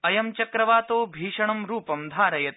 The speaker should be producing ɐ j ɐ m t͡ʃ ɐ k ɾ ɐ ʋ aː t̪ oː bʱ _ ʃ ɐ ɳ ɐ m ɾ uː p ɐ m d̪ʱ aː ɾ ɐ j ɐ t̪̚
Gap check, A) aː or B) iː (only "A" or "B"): B